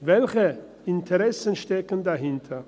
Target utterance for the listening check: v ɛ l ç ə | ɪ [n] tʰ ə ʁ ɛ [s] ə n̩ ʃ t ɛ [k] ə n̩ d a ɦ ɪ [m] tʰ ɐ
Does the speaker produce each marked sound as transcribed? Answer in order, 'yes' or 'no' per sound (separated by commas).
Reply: yes, yes, yes, no